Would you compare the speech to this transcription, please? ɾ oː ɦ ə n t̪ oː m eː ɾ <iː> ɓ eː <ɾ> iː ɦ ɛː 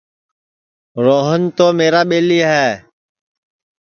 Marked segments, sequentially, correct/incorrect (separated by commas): incorrect, incorrect